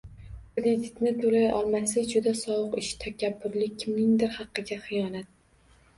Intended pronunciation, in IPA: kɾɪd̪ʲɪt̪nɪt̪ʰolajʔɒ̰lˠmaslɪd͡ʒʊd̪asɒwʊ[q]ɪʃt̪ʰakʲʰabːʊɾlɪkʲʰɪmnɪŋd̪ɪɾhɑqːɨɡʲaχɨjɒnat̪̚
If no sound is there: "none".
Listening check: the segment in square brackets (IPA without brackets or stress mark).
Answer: q